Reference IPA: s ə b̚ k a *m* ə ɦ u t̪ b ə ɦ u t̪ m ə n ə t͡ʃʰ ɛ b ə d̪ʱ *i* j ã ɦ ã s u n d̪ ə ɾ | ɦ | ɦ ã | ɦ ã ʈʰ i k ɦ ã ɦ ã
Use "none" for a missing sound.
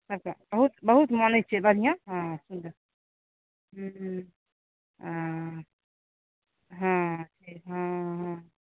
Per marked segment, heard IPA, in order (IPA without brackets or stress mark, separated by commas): b, i